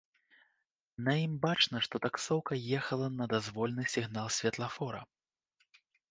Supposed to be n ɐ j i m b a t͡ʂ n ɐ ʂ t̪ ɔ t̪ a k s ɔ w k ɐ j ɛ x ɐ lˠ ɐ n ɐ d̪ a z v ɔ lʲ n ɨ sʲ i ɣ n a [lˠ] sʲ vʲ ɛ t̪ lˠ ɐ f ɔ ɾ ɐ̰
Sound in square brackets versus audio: correct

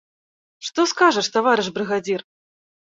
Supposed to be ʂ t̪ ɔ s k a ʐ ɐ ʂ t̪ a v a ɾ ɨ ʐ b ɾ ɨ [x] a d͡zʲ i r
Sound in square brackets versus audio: incorrect: ɣ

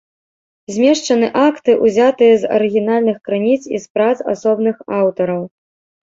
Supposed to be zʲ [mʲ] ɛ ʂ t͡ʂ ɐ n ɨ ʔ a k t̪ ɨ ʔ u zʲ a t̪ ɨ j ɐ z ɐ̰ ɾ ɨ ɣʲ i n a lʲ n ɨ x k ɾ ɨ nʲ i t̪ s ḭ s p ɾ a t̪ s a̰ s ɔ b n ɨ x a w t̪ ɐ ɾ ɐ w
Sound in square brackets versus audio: correct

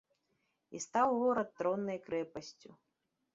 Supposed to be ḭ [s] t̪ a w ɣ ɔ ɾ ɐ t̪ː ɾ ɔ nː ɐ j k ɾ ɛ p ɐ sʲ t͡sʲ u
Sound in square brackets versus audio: correct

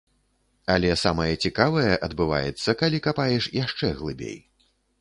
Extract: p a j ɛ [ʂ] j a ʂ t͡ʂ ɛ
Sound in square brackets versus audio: correct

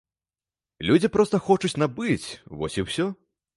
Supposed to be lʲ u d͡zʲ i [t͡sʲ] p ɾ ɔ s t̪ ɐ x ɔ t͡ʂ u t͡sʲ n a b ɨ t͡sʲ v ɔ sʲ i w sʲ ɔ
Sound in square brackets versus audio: incorrect: none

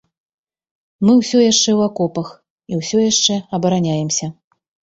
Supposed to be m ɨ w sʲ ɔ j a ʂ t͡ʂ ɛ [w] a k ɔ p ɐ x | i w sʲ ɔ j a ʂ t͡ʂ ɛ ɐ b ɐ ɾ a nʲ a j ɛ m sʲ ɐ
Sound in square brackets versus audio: correct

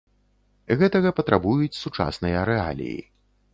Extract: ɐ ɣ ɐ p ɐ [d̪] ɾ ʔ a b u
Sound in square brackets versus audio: incorrect: t̪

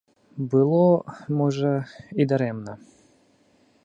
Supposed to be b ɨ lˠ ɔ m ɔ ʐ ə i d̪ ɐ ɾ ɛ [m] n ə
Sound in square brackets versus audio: correct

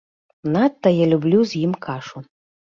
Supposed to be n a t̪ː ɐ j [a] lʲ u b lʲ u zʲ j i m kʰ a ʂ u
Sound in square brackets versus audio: correct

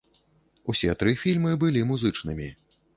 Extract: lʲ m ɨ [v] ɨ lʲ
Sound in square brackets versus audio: incorrect: b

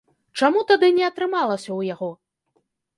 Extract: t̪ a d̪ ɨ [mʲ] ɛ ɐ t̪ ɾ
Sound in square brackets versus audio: incorrect: nʲ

